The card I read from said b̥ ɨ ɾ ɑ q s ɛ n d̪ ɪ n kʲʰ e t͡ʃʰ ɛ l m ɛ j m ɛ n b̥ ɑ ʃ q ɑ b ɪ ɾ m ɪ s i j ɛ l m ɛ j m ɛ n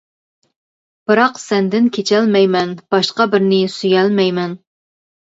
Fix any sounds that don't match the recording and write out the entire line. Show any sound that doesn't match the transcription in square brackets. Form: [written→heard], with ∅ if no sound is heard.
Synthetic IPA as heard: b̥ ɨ ɾ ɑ q s ɛ n d̪ ɪ n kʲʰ e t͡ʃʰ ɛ l m ɛ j m ɛ n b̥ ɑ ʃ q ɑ b ɪ ɾ [m→n] ɪ s [i→y] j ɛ l m ɛ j m ɛ n